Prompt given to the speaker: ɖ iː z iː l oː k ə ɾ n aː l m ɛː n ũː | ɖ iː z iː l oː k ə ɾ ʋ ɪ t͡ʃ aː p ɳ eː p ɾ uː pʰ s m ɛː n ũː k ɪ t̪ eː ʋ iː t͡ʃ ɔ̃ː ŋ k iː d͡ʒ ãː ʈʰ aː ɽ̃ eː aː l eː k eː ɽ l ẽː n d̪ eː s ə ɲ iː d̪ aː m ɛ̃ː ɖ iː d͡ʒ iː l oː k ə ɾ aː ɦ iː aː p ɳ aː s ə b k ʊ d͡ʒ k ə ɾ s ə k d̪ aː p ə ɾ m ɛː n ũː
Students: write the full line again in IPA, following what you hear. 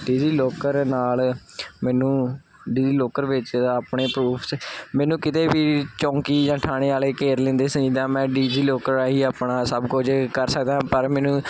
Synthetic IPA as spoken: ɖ iː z iː l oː k ə ɾ n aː l m ɛː n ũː | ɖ iː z iː l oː k ə ɾ ʋ ɪ t͡ʃ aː p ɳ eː p ɾ uː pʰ s m ɛː n ũː k ɪ t̪ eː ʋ iː t͡ʃ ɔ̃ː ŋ k iː d͡ʒ ãː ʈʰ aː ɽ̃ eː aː l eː k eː ɾ l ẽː n d̪ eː s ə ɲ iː d̪ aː m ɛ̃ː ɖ iː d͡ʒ iː l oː k ə ɾ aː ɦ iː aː p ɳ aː s ə b k ʊ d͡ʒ k ə ɾ s ə k d̪ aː p ə ɾ m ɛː n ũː